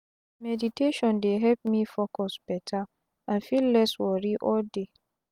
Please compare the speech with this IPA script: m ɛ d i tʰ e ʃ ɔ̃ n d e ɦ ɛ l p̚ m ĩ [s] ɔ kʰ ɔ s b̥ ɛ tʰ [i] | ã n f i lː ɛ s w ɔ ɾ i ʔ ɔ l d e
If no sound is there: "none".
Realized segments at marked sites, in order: f, a

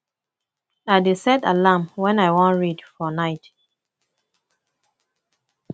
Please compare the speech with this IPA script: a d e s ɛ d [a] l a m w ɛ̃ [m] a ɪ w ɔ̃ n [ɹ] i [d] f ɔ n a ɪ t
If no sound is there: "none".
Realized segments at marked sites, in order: a, n, ɹ, d

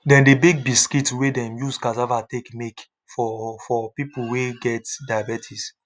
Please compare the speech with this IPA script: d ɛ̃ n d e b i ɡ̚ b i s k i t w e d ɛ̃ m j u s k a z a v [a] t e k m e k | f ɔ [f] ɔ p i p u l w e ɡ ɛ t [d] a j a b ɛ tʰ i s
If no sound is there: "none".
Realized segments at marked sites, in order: a, f, d

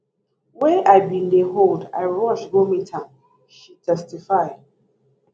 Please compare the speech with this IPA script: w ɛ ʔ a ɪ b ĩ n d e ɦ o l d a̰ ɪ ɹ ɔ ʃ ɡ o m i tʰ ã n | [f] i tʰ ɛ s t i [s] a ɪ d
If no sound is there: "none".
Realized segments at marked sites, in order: ʃ, f

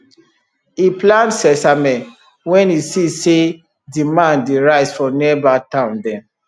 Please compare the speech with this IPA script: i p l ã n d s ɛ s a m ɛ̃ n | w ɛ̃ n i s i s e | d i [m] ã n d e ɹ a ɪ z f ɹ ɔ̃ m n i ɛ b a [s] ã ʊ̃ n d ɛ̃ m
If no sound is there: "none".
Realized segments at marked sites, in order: m, t

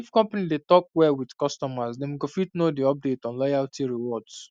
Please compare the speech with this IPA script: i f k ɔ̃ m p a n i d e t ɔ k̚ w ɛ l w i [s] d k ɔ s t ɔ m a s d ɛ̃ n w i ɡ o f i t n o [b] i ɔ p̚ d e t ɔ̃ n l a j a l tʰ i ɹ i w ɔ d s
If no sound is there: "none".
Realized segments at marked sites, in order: none, d

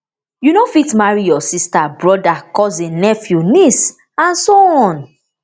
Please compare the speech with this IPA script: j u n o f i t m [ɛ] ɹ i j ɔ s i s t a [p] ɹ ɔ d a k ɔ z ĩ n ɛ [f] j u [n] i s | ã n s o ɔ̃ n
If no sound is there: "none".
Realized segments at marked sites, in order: a, b, f, n

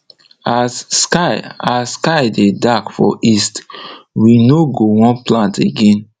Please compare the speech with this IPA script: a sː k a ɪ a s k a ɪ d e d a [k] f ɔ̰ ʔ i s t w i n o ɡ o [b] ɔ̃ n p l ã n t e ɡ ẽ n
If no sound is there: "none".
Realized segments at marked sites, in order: k, w

